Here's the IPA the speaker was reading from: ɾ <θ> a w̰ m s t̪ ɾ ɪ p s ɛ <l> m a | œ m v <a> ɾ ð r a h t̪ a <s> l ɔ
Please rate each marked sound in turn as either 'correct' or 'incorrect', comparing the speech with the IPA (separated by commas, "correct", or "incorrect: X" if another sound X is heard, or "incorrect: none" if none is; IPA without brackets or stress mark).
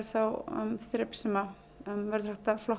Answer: correct, incorrect: none, incorrect: ɛ, incorrect: f